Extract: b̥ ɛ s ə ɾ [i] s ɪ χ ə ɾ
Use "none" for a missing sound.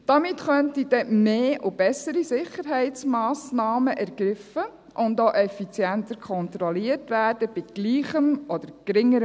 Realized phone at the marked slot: i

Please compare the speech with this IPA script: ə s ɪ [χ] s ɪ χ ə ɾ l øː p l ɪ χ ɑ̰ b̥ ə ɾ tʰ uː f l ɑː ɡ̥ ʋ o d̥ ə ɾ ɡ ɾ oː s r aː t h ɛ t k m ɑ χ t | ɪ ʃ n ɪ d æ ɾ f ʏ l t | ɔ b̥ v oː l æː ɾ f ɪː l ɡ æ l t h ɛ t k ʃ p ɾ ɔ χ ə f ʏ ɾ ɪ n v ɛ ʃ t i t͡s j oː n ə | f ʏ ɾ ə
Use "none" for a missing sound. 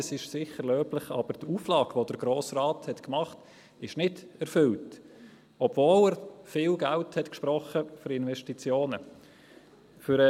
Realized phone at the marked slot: ʃ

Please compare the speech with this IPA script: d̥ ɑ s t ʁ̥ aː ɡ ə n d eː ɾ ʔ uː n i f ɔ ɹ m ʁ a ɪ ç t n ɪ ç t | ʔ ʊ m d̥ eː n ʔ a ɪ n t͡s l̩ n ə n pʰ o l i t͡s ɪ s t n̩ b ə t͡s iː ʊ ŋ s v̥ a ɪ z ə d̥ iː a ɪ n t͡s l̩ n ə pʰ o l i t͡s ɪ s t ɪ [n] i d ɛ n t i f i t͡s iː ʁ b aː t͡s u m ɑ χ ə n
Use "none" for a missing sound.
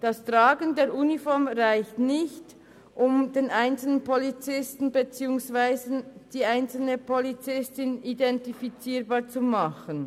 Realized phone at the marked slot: n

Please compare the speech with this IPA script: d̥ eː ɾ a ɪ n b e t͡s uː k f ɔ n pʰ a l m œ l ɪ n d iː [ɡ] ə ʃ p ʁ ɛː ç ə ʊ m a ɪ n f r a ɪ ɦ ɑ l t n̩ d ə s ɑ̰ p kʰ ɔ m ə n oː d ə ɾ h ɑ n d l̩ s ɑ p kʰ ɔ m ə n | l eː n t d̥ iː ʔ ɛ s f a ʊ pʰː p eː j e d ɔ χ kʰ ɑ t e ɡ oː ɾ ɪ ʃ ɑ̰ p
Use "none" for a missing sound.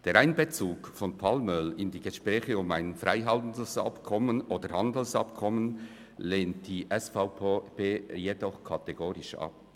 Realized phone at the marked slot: ɡ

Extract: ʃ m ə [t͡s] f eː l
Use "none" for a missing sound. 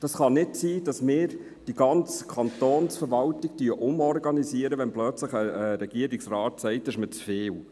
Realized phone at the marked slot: t͡s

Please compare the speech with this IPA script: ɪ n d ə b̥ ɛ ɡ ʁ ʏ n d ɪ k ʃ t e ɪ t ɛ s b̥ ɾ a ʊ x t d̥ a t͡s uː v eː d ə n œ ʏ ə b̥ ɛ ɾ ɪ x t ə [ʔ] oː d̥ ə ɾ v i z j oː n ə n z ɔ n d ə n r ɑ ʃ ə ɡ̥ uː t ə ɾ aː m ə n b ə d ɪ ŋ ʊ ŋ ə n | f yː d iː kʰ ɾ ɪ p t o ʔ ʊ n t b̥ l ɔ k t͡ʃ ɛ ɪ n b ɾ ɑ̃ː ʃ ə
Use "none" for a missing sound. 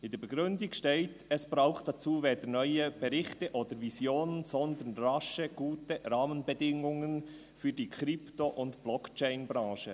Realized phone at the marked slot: ʔ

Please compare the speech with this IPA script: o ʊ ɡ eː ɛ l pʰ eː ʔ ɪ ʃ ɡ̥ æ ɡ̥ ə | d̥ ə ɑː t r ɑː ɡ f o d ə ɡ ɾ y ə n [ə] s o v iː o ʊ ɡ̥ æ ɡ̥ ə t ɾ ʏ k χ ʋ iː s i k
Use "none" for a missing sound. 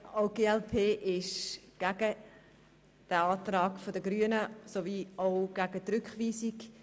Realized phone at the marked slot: ə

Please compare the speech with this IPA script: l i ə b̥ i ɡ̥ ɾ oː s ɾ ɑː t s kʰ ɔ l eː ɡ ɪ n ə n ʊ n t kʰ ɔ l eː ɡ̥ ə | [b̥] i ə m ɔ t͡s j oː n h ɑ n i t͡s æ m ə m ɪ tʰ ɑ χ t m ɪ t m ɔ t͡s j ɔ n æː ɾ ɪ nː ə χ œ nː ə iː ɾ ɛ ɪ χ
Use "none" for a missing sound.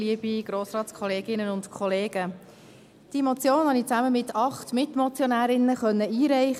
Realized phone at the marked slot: d̥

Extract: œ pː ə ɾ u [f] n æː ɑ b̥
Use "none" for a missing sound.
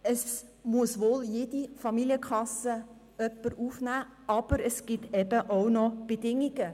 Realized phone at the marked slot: f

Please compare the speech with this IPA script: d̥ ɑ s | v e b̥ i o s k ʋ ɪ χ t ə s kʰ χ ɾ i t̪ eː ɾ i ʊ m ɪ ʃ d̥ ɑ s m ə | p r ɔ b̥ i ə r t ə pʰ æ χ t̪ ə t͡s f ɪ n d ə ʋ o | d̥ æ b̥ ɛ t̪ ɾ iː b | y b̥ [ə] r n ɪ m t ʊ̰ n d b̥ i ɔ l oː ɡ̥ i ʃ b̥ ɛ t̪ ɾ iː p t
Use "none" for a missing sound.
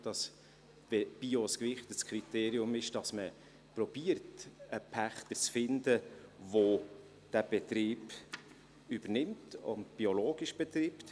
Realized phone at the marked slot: ə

